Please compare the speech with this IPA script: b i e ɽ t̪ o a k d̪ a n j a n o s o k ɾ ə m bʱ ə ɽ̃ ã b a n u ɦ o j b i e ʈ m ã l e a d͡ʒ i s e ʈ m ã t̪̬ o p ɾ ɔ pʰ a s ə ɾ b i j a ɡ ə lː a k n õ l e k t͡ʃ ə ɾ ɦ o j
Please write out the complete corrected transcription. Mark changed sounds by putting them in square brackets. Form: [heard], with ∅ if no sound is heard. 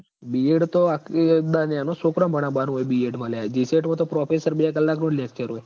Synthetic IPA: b i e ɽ t̪ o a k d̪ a n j a n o s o k ɾ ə m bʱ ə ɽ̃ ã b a n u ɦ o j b i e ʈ m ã l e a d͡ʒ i s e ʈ m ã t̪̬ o p ɾ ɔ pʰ [e] s ə ɾ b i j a [k] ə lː a k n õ l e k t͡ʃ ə ɾ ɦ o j